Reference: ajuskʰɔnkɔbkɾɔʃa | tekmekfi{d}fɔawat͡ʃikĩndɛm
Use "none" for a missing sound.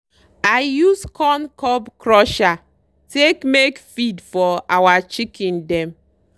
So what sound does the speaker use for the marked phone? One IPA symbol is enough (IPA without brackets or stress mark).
d